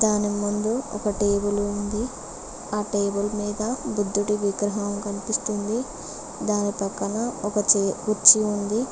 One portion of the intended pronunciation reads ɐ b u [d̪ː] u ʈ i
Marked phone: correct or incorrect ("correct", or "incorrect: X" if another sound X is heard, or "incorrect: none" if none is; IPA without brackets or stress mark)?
correct